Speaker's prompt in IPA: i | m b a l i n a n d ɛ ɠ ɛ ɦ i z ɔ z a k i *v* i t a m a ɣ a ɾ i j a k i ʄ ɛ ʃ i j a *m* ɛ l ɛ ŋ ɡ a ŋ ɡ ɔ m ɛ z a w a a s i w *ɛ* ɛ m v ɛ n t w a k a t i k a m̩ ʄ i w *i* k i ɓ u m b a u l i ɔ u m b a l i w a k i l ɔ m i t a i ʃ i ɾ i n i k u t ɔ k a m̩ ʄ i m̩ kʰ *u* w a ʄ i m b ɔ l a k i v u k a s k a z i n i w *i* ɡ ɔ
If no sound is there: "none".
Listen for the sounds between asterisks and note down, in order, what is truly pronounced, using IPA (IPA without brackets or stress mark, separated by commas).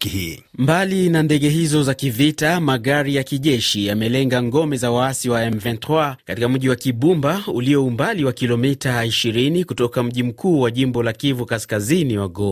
v, m, a, a, uː, a